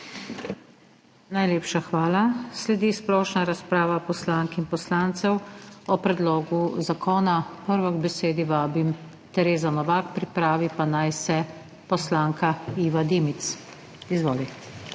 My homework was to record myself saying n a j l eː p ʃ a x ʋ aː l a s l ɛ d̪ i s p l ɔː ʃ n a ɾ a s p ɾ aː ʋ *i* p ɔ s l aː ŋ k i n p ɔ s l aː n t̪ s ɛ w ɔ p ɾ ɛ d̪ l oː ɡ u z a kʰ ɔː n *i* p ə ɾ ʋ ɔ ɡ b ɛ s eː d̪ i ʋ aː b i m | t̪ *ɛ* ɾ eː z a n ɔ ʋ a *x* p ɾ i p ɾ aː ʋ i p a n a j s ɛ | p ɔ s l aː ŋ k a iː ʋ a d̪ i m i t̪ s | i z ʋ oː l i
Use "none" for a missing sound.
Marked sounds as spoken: a, a, ɛ, k

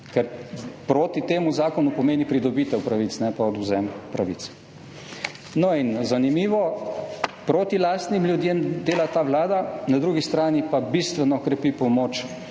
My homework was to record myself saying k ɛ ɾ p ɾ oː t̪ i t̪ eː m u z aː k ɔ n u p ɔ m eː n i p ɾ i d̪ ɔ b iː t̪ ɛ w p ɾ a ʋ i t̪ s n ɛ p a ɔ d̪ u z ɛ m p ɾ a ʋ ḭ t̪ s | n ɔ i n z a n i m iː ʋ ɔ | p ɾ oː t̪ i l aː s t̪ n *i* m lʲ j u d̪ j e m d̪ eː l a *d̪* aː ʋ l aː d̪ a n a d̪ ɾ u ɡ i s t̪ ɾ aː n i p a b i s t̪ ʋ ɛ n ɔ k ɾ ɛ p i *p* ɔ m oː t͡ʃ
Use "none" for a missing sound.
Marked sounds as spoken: i, t̪, p

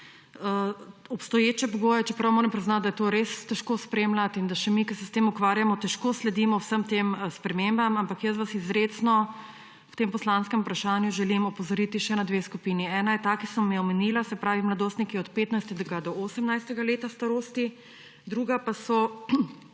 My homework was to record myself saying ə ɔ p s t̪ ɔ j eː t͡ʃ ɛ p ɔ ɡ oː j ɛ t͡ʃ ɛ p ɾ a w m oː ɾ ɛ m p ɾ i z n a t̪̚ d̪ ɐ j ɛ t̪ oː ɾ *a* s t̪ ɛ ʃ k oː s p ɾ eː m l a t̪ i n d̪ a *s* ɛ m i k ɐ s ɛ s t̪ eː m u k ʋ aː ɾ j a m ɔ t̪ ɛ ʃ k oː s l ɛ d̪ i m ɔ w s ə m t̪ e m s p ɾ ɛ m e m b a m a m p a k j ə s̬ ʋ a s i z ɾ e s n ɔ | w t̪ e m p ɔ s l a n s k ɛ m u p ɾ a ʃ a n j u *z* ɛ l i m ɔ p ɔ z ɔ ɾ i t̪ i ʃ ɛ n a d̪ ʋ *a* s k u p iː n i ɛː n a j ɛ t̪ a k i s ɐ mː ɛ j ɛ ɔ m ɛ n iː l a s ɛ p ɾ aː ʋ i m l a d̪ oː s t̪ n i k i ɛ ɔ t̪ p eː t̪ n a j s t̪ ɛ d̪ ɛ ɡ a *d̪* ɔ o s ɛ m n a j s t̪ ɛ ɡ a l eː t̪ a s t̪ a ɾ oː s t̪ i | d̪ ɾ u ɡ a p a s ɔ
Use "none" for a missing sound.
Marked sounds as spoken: e, ʃ, ʒ, e, d̪

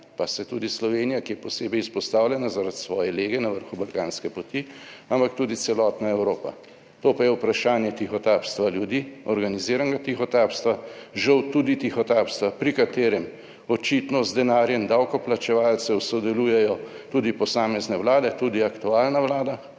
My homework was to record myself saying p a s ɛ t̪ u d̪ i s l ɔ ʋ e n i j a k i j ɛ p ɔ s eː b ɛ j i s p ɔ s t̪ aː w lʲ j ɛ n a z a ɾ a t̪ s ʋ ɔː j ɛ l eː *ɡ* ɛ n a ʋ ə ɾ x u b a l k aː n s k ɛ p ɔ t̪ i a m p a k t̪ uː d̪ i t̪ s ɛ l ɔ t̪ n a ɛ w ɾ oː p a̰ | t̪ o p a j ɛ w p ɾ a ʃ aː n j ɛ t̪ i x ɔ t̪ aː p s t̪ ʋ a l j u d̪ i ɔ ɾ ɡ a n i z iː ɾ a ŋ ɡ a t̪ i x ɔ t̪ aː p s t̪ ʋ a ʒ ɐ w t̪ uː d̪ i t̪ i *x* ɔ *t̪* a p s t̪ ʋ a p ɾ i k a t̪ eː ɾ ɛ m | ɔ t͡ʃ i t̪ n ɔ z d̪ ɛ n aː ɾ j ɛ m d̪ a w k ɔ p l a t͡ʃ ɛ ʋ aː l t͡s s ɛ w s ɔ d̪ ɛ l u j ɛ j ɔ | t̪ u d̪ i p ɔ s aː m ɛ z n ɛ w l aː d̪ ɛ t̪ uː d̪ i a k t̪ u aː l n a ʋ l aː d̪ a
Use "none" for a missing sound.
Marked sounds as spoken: ɡ, x, t̪

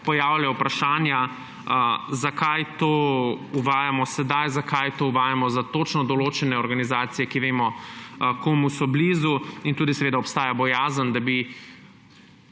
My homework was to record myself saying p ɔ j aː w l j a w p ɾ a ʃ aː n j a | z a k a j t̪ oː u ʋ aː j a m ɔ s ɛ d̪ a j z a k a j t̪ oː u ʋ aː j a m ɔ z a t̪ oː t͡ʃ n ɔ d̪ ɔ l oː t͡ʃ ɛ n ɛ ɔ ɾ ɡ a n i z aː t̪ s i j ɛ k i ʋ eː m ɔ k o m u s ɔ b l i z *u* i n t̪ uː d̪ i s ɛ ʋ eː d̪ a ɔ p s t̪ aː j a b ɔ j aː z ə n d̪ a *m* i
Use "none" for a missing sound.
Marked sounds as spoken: u, b

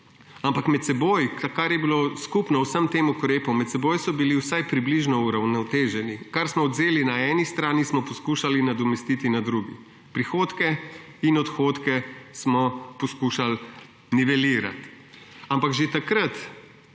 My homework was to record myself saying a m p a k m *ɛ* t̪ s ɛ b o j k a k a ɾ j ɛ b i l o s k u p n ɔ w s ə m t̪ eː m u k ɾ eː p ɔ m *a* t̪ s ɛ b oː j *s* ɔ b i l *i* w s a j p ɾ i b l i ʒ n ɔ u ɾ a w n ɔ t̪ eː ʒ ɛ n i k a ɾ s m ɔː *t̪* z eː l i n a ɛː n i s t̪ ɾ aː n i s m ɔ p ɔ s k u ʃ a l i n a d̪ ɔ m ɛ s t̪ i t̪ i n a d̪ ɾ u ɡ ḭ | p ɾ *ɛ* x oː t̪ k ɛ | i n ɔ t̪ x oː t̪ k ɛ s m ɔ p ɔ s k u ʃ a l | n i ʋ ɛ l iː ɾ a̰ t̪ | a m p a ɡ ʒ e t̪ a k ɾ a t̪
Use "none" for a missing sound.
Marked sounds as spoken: ɛ, ɛ, s, i, d̪, i

